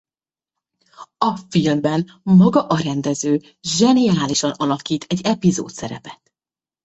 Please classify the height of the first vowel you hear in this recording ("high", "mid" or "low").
low